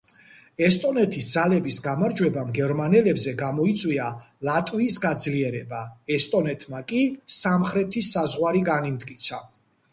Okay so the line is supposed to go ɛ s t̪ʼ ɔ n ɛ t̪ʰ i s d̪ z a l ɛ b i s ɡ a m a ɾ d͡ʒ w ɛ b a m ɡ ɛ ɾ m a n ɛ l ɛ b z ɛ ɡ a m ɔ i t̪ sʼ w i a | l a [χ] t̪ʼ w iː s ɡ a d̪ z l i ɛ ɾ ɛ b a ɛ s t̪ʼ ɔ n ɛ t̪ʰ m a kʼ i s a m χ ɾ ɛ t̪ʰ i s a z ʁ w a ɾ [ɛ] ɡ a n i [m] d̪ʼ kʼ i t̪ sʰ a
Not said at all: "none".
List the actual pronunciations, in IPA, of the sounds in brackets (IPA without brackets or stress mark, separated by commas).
none, i, m